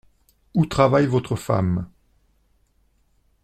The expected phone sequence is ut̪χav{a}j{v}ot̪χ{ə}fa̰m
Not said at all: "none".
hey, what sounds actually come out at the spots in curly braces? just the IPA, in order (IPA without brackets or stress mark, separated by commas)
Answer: a, v, ə